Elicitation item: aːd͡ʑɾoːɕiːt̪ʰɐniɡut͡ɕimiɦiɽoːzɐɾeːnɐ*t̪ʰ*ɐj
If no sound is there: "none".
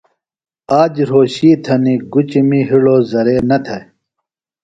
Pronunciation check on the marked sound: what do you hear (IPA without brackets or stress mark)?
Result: t̪ʰ